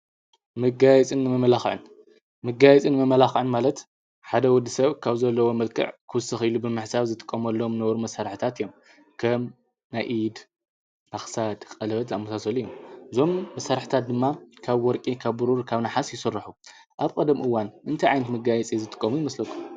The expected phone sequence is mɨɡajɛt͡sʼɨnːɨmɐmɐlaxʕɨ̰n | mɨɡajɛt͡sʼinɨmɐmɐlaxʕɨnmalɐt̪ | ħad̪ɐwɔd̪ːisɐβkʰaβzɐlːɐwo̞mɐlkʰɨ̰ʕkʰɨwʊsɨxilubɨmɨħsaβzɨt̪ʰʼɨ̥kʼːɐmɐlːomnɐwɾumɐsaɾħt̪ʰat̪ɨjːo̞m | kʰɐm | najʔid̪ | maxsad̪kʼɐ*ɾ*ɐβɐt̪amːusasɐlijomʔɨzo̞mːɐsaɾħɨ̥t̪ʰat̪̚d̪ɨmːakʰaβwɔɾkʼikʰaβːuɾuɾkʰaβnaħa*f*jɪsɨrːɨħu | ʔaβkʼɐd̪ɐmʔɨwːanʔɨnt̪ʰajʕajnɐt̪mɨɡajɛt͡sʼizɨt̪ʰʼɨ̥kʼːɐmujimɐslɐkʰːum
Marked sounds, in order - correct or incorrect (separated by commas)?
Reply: incorrect, incorrect